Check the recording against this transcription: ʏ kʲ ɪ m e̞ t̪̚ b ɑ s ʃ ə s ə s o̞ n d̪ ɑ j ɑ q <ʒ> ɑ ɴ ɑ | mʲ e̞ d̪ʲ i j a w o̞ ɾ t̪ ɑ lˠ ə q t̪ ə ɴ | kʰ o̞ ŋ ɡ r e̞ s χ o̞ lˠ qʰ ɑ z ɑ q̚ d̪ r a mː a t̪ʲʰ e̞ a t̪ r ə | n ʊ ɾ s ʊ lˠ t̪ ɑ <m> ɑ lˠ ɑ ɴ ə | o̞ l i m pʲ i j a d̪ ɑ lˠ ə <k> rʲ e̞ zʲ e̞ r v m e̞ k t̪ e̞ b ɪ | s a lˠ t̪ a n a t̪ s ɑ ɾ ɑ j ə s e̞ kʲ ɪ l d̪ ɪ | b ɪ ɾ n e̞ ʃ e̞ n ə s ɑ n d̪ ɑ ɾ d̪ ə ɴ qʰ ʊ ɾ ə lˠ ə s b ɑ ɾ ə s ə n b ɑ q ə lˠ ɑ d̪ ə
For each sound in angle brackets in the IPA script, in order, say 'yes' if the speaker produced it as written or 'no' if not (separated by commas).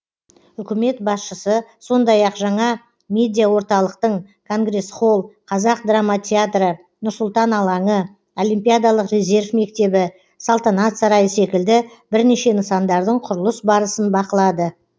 yes, no, no